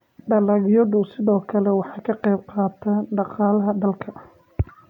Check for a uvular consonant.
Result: present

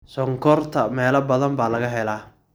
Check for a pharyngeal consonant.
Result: absent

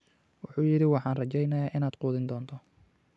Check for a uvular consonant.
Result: present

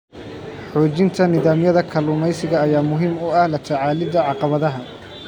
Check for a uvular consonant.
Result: present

